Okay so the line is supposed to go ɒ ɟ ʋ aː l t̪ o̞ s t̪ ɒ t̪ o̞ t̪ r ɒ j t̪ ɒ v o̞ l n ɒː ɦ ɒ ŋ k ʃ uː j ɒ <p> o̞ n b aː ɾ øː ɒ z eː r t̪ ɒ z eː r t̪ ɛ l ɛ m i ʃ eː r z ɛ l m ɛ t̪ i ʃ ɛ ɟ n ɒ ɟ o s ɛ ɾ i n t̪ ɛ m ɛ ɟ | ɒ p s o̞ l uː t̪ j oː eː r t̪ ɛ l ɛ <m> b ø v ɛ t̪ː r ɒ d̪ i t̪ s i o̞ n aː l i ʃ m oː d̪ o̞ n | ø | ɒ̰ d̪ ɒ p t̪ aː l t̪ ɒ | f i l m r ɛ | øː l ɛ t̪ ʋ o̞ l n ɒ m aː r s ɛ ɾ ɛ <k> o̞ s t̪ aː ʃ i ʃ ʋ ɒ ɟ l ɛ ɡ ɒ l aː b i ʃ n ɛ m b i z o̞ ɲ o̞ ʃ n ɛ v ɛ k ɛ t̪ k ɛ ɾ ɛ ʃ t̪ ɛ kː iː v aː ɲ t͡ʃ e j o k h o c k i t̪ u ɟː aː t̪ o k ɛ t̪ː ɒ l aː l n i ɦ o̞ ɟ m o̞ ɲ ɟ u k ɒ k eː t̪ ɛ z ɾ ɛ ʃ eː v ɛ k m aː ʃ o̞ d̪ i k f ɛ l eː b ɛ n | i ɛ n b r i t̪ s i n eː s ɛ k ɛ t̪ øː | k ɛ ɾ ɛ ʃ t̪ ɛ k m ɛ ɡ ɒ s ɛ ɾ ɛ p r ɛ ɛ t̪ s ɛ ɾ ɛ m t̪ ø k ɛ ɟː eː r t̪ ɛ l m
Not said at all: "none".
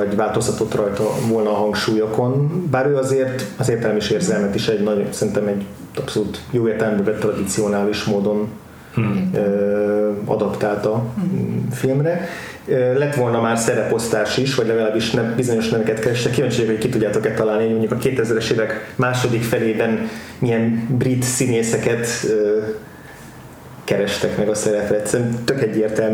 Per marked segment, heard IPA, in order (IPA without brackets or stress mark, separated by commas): k, m, p